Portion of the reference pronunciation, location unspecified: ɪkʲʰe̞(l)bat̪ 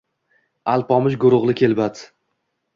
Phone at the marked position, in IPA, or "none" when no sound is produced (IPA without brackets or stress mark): l